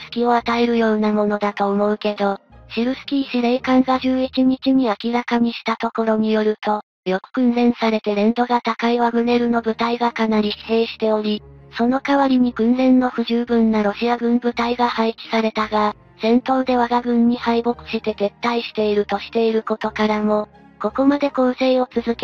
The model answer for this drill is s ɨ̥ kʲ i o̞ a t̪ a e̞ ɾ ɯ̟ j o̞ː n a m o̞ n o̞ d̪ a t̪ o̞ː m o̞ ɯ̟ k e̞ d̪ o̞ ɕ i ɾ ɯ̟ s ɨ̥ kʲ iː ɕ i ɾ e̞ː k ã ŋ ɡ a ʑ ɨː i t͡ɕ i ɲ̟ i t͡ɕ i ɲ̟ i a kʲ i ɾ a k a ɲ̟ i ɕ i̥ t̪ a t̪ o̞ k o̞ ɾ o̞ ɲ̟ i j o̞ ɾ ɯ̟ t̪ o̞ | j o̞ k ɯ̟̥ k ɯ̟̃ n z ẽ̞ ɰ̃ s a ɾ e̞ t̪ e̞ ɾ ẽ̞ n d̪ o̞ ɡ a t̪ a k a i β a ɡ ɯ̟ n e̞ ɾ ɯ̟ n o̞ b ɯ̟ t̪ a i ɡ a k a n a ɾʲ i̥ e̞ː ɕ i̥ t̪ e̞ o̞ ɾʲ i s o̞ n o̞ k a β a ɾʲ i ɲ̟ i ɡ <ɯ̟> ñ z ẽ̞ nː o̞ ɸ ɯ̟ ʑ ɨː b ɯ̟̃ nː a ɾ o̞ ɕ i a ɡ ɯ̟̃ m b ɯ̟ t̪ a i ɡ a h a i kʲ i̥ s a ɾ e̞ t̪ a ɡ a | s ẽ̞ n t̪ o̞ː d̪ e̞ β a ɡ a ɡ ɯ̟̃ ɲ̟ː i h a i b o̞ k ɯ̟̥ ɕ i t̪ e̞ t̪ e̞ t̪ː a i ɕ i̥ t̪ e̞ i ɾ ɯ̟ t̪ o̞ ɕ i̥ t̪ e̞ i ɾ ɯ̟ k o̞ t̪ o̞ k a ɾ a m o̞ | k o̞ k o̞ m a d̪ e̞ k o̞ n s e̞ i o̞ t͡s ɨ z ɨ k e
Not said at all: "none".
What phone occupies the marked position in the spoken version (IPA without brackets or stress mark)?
ɯ̟̃